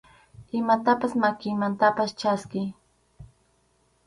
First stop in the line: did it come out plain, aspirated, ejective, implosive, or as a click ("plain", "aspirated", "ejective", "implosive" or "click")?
plain